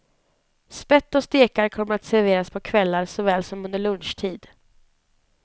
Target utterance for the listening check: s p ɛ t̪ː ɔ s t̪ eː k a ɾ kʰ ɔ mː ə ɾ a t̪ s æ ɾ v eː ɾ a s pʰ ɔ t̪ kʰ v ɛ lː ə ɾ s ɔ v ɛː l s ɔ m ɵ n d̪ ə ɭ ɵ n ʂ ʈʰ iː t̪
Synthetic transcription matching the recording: s p ɛ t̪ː ɔ s t̪ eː k a ɾ kʰ ɔ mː ə ɾ a t̪ s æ ɾ v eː ɾ a s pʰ ɔ kʰ v ɛ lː a ɾ s ɔ v ɛː l s ɔ m ɵ n d̪ ə ɭ ɵ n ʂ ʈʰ iː d̪